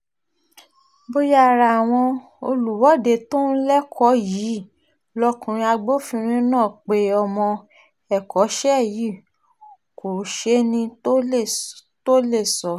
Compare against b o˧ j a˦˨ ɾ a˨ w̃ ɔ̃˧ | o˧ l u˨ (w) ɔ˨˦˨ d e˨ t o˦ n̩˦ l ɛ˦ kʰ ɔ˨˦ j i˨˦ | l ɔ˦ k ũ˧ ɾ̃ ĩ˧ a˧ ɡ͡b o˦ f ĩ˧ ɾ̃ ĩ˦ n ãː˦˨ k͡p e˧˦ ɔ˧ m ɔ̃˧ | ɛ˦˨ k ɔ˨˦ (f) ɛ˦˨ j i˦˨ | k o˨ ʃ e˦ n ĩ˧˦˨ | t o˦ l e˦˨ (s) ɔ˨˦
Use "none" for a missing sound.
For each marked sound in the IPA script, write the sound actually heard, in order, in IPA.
w, ʃ, s

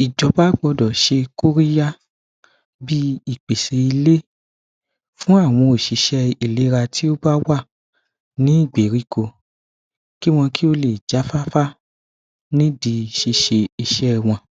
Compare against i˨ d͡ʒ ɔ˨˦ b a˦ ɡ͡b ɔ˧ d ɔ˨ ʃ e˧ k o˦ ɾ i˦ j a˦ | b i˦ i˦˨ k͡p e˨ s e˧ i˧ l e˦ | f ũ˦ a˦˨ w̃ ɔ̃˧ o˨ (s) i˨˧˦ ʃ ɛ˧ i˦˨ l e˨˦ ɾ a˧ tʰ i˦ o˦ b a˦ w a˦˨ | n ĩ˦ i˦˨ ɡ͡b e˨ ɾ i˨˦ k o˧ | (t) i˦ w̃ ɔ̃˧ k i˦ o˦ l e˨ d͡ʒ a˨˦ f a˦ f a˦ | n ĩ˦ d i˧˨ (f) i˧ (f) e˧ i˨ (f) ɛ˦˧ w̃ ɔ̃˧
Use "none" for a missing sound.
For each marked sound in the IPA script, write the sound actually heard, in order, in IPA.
ʃ, k, ʃ, ʃ, ʃ

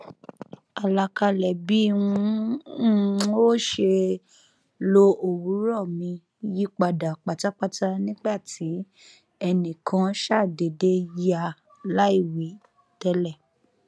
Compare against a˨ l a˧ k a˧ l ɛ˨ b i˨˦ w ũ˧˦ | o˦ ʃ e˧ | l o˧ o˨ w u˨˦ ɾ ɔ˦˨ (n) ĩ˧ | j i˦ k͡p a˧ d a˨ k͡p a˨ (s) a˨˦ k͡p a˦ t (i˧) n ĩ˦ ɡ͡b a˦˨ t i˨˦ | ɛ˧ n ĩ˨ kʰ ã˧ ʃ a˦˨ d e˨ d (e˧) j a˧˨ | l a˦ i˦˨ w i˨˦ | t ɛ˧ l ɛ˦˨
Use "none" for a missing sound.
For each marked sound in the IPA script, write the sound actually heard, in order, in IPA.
m, t, a˧, e˧

